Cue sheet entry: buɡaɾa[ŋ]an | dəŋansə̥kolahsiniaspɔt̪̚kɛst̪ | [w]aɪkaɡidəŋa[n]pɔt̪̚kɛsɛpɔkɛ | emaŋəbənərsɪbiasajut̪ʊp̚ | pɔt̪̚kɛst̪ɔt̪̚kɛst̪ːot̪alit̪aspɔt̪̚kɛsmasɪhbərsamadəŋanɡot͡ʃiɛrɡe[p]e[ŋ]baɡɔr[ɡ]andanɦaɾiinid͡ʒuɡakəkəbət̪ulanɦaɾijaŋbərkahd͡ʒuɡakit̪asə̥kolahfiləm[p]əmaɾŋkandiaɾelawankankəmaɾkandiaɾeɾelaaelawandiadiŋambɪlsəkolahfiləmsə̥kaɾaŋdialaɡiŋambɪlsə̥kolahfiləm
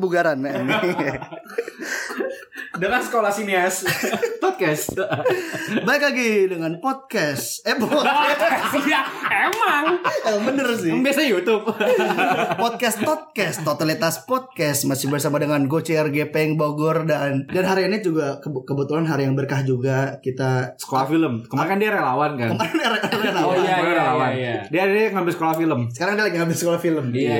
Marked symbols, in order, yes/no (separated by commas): no, no, yes, yes, yes, no, no